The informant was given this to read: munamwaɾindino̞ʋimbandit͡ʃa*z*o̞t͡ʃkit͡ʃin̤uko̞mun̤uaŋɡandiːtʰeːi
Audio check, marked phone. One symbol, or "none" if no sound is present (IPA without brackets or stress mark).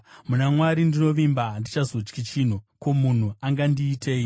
z